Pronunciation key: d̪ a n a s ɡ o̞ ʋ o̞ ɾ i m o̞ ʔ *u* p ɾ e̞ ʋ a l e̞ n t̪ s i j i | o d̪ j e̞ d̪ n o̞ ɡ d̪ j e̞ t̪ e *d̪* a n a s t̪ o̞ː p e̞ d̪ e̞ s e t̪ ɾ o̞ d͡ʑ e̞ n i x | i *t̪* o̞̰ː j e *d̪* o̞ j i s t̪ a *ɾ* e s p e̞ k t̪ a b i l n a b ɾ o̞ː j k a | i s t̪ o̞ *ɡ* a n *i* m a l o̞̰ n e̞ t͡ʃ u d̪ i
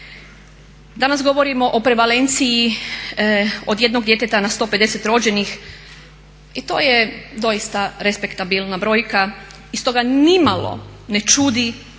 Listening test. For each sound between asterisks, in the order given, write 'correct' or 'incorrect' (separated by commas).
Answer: incorrect, incorrect, correct, correct, correct, correct, correct